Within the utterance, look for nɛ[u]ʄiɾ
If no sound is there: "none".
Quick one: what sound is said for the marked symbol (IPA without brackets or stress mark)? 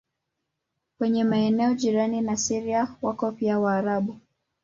ɔ